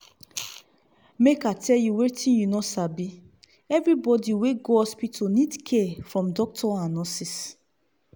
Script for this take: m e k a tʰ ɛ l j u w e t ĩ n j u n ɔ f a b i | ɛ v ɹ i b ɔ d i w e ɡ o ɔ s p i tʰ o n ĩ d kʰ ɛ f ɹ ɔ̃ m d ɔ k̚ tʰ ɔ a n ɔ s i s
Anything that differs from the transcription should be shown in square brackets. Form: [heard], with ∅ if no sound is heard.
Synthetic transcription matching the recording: m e k a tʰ ɛ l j u w e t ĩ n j u n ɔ [s] a b i | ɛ v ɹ i b ɔ d i w e ɡ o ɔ s p i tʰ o n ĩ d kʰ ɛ f ɹ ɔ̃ m d ɔ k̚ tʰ ɔ a n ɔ s i s